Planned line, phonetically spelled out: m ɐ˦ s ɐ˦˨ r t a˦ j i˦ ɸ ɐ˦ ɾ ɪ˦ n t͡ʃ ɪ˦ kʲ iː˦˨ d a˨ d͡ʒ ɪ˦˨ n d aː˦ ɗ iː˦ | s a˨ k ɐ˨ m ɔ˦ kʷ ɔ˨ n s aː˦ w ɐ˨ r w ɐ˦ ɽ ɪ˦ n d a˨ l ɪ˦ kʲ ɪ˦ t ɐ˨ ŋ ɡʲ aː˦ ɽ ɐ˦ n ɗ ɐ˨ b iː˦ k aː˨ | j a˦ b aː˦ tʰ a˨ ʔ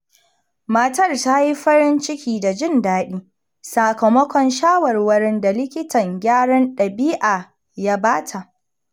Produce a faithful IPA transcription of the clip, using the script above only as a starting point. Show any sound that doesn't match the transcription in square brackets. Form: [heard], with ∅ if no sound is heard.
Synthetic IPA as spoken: m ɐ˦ [t] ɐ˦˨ r t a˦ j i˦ ɸ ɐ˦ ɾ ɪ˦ n t͡ʃ ɪ˦ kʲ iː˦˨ d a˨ d͡ʒ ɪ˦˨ n d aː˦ ɗ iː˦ | s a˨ k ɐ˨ m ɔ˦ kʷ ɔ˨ n [ʃ] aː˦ w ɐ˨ r w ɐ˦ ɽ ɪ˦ n d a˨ l ɪ˦ kʲ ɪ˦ t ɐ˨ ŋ ɡʲ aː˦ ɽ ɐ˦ n ɗ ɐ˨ b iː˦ [ʔ] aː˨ | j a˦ b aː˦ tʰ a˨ ʔ